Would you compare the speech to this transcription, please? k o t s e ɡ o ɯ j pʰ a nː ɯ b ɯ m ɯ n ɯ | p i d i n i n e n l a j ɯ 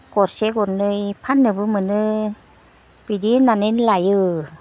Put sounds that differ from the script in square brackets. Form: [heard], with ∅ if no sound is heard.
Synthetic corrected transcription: k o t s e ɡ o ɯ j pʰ a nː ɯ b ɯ m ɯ n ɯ | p i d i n [a] n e n l a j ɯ